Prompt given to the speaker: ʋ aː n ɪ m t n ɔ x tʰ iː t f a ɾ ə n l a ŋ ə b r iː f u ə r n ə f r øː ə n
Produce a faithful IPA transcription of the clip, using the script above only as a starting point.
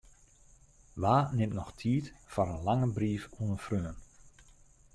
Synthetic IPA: ʋ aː n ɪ m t n ɔ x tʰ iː t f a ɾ ə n l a ŋ ə b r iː f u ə n ə f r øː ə n